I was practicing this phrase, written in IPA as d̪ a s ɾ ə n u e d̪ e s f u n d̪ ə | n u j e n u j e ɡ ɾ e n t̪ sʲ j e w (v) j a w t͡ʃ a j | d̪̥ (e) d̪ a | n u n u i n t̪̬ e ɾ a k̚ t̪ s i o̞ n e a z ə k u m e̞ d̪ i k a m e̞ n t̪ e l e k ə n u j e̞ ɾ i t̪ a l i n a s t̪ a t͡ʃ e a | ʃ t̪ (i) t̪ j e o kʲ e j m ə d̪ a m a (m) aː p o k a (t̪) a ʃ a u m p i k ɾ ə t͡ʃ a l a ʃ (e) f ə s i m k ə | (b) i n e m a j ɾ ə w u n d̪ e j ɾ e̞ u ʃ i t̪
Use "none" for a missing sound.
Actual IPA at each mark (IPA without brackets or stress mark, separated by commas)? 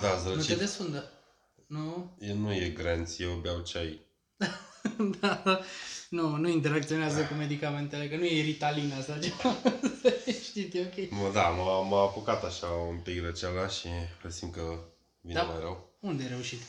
b, a, i, m, t̪, i, v